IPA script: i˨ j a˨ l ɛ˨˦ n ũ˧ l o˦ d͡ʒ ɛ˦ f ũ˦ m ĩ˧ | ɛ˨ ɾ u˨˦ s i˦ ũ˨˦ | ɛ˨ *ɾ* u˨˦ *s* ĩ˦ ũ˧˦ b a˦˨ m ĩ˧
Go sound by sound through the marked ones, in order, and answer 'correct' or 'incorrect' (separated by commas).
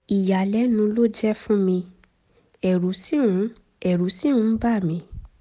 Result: correct, correct